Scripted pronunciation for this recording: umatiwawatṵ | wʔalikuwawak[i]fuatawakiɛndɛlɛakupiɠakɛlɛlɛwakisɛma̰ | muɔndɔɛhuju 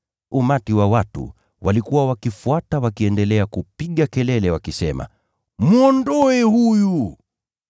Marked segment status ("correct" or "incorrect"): correct